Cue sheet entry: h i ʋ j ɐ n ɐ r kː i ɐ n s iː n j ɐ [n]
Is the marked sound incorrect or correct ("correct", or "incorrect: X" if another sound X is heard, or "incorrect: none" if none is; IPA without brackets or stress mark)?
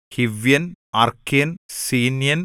correct